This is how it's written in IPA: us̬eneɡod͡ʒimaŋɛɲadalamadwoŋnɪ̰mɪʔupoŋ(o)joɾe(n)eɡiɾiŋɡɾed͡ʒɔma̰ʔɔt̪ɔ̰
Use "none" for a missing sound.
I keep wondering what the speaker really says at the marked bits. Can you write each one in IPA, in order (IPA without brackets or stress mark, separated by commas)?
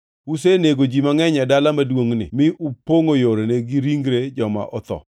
o, n